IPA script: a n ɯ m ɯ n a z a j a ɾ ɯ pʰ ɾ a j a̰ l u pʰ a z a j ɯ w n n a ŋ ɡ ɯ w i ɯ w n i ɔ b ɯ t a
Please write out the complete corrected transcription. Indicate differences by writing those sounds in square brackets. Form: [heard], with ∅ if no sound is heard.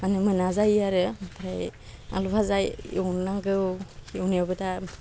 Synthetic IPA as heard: a n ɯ m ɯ n a z a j a ɾ ɯ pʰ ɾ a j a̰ l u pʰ a z a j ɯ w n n a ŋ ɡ ɯ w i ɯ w n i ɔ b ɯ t a